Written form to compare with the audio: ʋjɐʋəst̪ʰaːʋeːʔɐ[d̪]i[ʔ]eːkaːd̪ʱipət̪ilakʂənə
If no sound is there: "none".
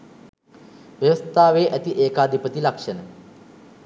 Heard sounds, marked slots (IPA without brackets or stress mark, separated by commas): t̪, ʔ